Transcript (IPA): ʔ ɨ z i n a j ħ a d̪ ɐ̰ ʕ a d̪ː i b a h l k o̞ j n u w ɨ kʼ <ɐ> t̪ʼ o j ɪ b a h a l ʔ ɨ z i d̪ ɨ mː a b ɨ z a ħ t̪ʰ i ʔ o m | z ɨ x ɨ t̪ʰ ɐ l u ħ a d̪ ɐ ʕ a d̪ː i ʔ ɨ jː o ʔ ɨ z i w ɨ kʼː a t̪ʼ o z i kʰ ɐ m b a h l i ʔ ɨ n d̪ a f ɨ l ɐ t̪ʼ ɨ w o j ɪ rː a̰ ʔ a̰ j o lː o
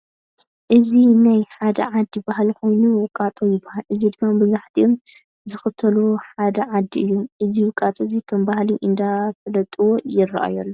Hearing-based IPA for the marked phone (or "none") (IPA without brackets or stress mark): a